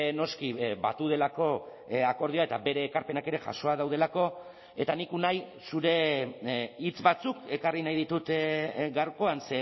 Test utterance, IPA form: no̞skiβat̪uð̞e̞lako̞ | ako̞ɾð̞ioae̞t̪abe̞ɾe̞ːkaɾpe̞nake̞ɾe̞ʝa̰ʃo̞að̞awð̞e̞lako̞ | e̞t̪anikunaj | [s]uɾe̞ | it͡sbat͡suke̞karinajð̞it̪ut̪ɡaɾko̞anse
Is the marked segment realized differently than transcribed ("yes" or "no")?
no